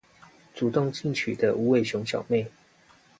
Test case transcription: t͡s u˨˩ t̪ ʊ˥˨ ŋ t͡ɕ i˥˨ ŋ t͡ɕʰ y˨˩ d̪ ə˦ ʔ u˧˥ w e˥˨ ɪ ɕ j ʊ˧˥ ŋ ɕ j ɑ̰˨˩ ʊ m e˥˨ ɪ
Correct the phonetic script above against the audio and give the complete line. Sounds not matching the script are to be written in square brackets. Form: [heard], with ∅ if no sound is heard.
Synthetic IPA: t͡s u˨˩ t̪ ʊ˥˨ ŋ t͡ɕ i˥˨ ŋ t͡ɕʰ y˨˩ d̪ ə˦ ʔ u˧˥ w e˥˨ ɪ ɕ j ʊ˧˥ ŋ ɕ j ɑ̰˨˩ ʊ m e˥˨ ɪ